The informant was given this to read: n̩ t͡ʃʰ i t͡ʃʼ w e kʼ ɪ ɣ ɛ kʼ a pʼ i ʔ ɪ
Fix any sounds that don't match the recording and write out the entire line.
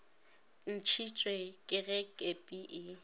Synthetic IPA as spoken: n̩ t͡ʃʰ i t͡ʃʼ w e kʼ ɪ ɣ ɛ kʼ e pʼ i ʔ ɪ